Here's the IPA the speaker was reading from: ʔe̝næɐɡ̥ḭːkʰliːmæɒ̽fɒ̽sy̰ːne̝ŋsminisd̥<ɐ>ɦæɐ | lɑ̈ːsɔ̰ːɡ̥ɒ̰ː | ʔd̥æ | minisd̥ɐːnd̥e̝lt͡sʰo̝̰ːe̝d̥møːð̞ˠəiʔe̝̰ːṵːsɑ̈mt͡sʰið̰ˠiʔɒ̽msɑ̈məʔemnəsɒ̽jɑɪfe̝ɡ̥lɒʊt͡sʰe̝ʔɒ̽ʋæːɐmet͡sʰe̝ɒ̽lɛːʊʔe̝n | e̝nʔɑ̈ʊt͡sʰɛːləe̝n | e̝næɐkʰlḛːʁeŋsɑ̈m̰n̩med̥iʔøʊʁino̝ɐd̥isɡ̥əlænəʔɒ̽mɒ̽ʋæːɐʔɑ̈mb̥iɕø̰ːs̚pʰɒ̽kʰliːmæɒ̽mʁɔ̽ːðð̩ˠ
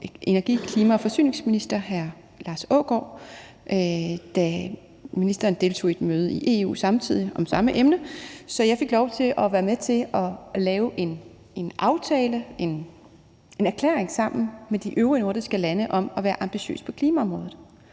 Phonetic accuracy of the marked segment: correct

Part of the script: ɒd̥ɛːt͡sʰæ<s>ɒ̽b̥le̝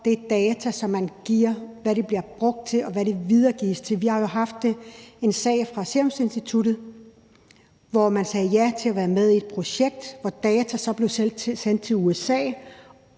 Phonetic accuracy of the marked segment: correct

